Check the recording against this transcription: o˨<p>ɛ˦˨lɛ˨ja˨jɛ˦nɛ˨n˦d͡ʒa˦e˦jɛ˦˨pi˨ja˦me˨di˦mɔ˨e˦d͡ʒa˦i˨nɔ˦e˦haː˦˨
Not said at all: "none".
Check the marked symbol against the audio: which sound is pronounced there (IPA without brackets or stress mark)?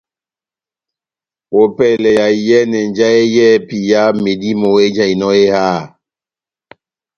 p